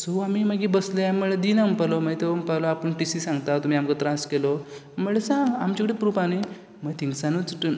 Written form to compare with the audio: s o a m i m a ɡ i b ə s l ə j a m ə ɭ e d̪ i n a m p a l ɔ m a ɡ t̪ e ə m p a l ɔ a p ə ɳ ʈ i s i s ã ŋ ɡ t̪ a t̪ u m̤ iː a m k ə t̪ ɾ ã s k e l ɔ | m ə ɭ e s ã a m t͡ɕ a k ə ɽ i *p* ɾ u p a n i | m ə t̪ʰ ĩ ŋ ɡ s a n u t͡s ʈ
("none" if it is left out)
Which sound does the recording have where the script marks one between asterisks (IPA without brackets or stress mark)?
p